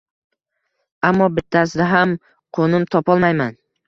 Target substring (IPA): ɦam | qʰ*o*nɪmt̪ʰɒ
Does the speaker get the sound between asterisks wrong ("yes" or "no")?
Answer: no